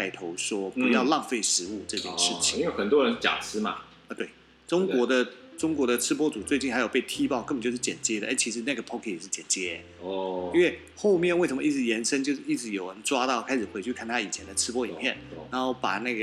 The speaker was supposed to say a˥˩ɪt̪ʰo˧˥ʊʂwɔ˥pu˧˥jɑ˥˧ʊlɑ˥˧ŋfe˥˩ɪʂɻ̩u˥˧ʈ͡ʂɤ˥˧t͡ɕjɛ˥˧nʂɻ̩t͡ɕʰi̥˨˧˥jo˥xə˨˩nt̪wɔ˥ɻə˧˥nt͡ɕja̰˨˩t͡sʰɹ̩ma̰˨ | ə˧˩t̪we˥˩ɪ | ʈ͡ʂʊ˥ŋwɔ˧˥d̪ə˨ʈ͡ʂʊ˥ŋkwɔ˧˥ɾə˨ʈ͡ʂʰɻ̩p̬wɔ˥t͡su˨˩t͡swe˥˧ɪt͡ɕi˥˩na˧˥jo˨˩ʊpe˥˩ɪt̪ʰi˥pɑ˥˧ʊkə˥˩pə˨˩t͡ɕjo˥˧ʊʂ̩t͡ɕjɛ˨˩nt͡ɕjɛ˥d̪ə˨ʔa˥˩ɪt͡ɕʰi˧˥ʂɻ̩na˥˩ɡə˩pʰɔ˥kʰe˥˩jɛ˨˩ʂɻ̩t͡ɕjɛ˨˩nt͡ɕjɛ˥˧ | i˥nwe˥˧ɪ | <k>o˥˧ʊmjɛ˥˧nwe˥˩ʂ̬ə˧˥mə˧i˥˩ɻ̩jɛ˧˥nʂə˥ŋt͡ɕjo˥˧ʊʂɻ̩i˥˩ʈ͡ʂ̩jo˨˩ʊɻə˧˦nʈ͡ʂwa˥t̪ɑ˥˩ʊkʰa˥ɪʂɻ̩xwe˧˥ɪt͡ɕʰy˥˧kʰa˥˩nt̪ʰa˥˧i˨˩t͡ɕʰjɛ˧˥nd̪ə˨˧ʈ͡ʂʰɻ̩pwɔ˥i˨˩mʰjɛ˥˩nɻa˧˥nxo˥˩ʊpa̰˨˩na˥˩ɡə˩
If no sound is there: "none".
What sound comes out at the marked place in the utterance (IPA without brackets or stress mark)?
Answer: x